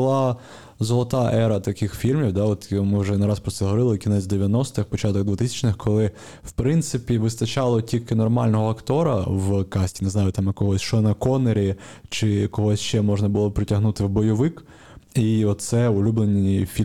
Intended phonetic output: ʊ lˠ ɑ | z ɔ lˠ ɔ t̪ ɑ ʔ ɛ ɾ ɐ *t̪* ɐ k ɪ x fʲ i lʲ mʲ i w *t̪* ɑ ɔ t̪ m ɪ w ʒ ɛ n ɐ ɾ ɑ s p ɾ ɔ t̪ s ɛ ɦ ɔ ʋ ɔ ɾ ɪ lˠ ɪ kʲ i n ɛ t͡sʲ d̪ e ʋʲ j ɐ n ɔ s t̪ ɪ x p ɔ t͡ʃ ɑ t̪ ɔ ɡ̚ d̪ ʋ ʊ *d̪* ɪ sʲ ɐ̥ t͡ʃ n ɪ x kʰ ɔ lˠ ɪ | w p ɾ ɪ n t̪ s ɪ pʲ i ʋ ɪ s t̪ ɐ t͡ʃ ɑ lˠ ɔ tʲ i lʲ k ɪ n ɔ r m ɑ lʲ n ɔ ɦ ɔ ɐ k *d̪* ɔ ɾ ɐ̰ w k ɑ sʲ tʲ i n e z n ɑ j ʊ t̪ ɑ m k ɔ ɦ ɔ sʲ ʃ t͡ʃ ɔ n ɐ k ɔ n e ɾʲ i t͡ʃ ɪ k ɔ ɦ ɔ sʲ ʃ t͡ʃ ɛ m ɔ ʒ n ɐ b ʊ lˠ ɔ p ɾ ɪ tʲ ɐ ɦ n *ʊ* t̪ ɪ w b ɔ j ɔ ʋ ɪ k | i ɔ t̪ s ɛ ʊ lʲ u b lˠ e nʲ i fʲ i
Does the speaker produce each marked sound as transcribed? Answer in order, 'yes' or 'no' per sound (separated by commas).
yes, no, no, no, no